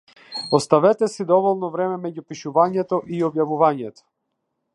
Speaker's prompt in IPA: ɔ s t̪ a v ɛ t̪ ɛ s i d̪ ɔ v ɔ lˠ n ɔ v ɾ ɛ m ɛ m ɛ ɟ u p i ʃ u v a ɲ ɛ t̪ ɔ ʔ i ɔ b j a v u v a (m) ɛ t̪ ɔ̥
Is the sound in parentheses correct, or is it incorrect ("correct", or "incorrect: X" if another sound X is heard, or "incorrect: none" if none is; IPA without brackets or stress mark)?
incorrect: ɲ